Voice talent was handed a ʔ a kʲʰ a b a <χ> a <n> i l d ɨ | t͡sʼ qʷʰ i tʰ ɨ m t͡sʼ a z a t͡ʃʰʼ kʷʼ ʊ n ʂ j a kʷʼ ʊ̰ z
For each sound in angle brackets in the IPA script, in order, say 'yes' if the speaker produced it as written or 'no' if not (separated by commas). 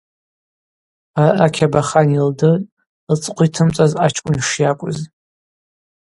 yes, yes